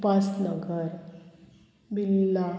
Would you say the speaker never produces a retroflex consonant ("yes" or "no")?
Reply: yes